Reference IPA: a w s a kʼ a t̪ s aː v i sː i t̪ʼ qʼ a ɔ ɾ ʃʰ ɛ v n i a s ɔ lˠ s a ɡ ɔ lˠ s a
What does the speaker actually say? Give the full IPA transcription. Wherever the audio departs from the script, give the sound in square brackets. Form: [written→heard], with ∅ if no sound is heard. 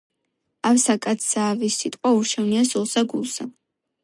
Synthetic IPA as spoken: a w s a kʼ a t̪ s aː v i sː i t̪ʼ qʼ a [ɔ→u] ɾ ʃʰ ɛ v n i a s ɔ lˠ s a ɡ [ɔ→u] lˠ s a